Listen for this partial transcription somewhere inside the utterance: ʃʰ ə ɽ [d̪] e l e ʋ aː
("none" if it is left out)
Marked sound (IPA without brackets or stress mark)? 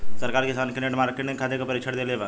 d̪